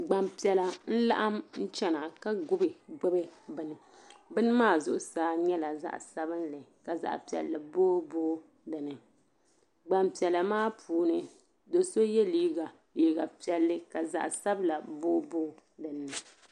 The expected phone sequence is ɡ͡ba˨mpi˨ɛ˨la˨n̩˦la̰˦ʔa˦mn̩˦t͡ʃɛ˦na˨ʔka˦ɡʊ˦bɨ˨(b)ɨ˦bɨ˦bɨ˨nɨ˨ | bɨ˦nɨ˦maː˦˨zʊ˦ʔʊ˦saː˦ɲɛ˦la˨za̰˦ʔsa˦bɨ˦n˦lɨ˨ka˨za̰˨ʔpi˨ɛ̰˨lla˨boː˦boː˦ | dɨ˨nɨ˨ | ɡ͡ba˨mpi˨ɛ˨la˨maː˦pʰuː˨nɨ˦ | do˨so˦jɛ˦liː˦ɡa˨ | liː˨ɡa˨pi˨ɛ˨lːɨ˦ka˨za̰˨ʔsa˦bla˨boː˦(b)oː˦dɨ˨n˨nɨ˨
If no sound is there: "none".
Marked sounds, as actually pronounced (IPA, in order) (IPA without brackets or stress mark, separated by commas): ɡ͡b, b